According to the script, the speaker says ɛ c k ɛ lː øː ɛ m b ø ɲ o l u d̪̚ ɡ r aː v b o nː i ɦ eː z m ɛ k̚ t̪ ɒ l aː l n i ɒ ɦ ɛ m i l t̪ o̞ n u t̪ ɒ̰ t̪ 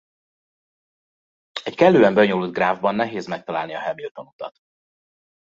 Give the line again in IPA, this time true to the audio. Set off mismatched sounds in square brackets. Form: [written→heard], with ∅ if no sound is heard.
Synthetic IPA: ɛ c k ɛ lː øː ɛ m b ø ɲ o l u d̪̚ ɡ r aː v b [o→ɒ] nː [i→ɛ] ɦ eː z m ɛ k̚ t̪ ɒ l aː l n i ɒ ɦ ɛ m i l t̪ o̞ n u t̪ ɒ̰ t̪

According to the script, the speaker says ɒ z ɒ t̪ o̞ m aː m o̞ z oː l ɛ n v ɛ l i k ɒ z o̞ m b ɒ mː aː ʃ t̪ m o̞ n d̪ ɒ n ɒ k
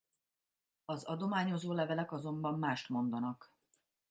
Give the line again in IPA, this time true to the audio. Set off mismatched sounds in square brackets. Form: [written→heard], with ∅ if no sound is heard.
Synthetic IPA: ɒ z ɒ [t̪→d̪] o̞ m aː [m→ɲ] o̞ z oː l ɛ [n→∅] v ɛ l [i→ɛ] k ɒ z o̞ m b ɒ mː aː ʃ t̪ m o̞ n d̪ ɒ n ɒ k

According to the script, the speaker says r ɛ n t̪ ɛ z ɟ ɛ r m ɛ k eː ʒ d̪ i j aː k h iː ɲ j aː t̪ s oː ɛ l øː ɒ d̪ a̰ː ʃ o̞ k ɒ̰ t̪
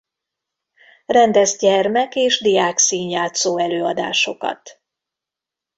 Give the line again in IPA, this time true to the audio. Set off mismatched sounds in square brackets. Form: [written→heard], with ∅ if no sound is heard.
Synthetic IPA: r ɛ n [t̪→d̪] ɛ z ɟ ɛ r m ɛ k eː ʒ d̪ i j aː k [h→s] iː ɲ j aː t̪ s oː ɛ l øː ɒ d̪ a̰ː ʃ o̞ k ɒ̰ t̪

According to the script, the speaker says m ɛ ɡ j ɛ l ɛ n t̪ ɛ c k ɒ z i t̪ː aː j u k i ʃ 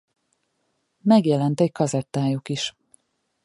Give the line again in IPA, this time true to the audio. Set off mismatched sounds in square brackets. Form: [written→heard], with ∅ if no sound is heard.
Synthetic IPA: m ɛ ɡ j ɛ l ɛ n t̪ ɛ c k ɒ z [i→ɛ] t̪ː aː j u k i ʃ

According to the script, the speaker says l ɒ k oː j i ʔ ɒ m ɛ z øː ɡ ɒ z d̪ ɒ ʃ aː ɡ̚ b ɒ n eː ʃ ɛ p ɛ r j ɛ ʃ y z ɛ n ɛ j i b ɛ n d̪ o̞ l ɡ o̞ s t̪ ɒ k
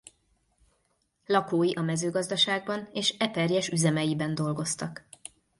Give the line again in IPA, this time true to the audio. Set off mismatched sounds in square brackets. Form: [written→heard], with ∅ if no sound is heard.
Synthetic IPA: l ɒ k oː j i ʔ ɒ m ɛ z øː ɡ ɒ z d̪ ɒ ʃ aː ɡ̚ b ɒ n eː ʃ ɛ p ɛ r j ɛ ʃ y z ɛ [n→m] ɛ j i b ɛ n d̪ o̞ l ɡ o̞ s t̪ ɒ k

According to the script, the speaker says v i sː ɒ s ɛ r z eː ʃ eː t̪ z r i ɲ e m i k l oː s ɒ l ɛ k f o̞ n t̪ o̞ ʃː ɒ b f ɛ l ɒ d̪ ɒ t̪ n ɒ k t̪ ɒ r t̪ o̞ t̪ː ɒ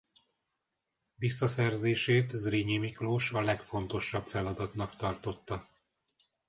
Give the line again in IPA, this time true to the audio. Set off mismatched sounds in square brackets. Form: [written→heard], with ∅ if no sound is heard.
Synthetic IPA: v i sː ɒ s ɛ r z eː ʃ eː t̪ z r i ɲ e m i k l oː [s→ʃ] ɒ l ɛ k f o̞ n t̪ o̞ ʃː ɒ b f ɛ l ɒ d̪ ɒ t̪ n ɒ k t̪ ɒ r t̪ o̞ t̪ː ɒ

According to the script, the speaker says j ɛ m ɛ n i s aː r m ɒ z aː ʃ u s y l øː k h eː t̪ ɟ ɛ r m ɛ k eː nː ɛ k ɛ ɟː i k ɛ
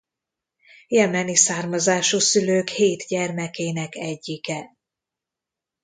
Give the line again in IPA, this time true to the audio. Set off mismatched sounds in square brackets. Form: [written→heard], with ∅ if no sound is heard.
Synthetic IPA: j ɛ m ɛ n i s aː r m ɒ z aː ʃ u s y l øː k h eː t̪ ɟ ɛ r m ɛ k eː [nː→n] ɛ k ɛ ɟː i k ɛ

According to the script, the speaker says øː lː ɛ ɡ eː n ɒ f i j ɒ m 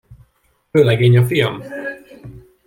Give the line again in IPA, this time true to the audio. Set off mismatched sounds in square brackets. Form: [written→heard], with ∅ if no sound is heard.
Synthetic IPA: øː [lː→l] ɛ ɡ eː [n→ɲ] ɒ f i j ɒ m

